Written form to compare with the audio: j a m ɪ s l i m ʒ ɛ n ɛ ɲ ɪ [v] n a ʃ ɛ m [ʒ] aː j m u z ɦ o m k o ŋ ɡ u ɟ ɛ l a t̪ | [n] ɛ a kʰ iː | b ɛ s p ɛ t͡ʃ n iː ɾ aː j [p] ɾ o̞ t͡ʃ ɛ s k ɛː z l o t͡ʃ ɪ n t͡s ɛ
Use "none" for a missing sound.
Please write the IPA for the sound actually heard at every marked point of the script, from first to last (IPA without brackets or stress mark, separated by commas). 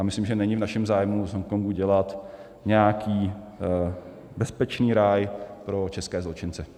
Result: v, z, ɲ, p